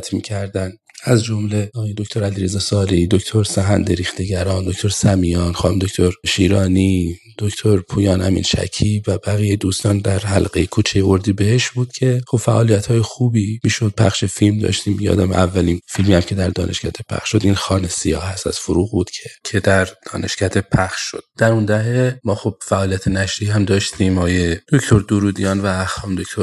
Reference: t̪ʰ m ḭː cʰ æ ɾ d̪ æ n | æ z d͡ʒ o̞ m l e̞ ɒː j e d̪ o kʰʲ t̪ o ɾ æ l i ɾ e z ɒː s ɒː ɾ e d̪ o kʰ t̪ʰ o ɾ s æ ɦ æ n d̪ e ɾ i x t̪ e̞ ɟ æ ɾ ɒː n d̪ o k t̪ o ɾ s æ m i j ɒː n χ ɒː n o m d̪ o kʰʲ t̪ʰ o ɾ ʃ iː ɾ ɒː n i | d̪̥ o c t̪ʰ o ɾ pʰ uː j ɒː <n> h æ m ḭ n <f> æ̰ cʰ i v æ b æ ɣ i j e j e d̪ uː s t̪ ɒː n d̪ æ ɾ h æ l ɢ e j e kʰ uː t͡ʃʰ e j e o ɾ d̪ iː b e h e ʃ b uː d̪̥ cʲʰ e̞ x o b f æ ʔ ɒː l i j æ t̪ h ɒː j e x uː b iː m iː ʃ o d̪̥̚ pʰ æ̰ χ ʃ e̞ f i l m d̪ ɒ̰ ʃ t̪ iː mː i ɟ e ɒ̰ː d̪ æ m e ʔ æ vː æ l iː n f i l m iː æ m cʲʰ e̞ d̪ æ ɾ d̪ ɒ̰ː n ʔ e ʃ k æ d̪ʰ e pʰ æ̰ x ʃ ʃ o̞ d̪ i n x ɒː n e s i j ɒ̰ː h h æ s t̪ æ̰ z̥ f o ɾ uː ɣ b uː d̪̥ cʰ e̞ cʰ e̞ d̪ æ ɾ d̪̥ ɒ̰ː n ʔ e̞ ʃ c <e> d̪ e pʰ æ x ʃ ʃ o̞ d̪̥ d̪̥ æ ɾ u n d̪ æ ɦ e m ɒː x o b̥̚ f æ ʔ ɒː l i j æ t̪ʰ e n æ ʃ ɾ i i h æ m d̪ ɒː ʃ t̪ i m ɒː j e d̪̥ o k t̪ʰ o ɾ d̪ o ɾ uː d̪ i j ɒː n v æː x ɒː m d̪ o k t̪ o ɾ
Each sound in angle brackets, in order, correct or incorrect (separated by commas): correct, incorrect, incorrect